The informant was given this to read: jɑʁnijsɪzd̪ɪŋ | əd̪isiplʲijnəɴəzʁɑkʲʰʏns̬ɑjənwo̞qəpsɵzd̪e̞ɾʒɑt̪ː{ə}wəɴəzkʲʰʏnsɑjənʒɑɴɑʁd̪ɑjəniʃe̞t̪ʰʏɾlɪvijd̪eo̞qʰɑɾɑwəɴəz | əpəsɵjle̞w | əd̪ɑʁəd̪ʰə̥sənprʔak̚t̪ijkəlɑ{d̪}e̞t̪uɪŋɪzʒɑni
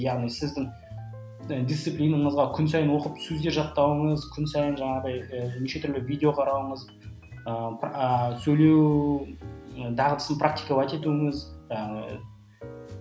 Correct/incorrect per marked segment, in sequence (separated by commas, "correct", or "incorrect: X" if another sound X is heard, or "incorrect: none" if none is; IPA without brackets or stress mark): incorrect: ɑ, incorrect: t̪